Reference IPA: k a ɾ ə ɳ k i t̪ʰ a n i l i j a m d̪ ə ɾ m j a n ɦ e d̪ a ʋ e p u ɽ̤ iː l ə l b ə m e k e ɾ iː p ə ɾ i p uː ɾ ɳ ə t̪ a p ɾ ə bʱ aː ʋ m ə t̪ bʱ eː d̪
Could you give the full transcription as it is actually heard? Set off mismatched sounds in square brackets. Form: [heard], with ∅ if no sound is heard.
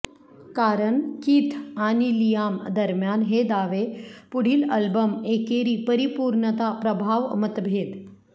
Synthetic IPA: k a ɾ ə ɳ k i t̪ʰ a n i l i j a m d̪ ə ɾ m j a n ɦ e d̪ a ʋ e p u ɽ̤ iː l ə l b ə m e k e ɾ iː p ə ɾ i p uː ɾ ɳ ə t̪ a p ɾ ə bʱ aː ʋ m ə t̪ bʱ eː d̪